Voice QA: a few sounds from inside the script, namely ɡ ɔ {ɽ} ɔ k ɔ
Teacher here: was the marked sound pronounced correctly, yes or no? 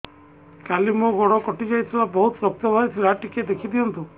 yes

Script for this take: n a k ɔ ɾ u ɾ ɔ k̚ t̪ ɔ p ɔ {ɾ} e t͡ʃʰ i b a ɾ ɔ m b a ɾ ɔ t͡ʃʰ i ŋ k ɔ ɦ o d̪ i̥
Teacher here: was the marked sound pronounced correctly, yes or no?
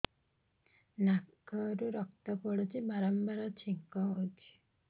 no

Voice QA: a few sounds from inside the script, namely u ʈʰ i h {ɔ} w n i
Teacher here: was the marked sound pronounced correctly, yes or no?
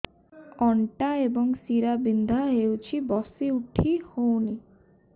no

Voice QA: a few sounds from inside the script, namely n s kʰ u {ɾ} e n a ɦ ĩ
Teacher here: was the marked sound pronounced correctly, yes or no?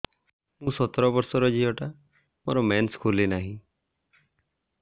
no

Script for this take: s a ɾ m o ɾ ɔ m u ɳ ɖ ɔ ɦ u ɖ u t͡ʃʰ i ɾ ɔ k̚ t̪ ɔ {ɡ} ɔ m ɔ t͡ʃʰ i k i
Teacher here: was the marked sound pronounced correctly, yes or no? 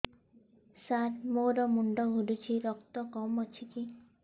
no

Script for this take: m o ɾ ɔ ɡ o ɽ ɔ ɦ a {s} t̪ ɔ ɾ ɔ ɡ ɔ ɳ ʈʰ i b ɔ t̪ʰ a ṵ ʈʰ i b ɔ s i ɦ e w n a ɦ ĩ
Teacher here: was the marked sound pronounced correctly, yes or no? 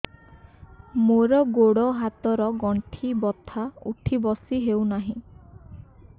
no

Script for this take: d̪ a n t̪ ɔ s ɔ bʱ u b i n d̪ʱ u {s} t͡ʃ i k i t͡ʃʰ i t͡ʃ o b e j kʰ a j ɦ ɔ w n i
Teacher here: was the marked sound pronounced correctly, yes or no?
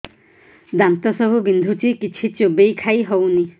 no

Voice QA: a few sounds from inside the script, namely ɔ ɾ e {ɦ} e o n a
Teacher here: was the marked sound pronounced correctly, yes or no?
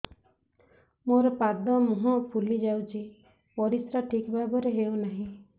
yes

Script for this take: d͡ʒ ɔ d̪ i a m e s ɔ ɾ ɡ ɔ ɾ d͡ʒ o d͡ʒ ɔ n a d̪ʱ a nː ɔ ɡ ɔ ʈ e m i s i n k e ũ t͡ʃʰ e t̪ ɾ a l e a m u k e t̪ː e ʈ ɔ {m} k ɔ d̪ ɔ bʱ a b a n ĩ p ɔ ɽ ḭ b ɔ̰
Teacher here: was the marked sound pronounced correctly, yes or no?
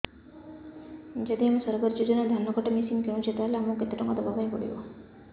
no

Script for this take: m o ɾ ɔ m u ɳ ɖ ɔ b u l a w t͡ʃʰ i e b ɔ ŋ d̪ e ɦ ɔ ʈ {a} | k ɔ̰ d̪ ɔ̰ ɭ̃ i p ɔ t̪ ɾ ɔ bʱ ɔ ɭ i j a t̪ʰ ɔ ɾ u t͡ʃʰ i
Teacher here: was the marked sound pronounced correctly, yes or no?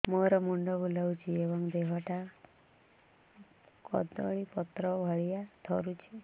yes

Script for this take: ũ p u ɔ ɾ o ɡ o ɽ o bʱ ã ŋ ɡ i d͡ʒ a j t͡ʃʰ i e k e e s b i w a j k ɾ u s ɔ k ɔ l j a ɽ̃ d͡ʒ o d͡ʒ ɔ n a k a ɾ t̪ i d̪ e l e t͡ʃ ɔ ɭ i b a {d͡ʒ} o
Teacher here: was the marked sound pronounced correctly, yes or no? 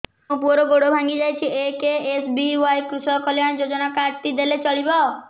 no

